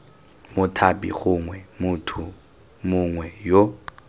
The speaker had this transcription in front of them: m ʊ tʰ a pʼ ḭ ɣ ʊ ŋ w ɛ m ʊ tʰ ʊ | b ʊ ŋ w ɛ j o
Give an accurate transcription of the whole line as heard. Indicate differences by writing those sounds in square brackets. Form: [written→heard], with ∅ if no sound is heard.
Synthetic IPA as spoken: m ʊ tʰ a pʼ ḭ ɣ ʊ ŋ w ɛ m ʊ tʰ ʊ | [b→m] ʊ ŋ w ɛ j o